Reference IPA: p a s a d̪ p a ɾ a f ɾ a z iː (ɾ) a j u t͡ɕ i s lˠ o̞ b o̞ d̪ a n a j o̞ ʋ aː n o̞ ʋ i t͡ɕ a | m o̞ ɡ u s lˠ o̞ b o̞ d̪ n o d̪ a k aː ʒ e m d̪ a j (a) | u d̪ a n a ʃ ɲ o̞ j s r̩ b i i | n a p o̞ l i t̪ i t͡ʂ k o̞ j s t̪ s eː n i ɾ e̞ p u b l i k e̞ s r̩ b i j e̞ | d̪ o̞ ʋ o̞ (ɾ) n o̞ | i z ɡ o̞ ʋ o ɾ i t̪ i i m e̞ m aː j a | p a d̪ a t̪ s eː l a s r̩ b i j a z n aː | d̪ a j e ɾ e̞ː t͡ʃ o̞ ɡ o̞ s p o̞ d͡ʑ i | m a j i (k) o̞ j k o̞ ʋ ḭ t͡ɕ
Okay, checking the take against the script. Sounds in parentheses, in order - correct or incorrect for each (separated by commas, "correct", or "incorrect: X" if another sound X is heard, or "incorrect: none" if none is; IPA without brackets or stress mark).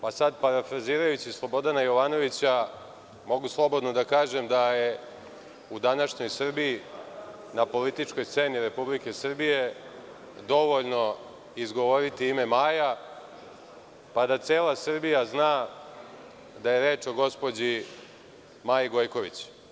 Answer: correct, incorrect: e, incorrect: ʎ, incorrect: ɡ